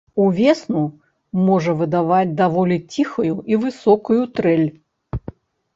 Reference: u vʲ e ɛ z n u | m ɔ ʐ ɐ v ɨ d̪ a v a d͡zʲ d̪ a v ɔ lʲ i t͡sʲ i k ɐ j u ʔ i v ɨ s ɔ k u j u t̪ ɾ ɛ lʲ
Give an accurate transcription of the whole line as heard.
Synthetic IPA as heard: u vʲ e ɛ s n u | m ɔ ʐ ɐ v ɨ d̪ a v a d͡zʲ d̪ a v ɔ lʲ i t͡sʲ i x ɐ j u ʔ i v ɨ s ɔ k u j u t̪ ɾ ɛ lʲ